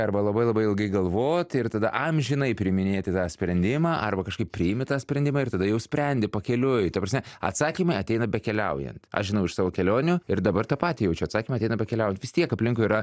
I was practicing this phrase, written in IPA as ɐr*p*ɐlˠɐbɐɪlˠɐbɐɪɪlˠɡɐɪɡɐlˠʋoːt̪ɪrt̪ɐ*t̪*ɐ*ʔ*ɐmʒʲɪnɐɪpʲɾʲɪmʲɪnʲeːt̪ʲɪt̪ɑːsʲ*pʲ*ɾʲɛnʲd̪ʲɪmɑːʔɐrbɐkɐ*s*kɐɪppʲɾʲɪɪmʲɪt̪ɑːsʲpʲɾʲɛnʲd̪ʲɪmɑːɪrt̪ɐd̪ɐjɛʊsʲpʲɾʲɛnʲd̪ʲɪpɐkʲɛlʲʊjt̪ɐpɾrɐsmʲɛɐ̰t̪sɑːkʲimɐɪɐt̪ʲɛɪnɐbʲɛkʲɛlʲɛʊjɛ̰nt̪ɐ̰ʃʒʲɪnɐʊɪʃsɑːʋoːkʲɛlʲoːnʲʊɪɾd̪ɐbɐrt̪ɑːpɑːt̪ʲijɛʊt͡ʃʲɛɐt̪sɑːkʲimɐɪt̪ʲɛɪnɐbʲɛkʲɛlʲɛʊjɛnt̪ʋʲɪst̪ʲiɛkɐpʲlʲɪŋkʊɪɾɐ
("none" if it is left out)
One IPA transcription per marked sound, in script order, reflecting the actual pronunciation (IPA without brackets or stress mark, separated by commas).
b, d̪, ʔ, pʲ, ʃ